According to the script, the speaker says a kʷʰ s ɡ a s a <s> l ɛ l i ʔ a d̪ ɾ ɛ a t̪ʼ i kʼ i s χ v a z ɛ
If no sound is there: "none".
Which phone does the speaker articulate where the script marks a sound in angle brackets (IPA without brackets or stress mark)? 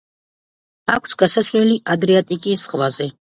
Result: s